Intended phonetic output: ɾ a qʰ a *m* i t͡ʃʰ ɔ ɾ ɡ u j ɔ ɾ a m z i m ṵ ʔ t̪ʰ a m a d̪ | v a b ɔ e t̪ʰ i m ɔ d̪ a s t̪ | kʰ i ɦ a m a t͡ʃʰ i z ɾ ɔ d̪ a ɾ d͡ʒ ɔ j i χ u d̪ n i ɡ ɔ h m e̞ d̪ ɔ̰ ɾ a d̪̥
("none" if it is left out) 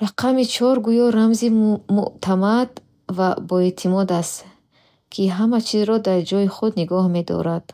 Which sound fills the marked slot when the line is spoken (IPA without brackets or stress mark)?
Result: m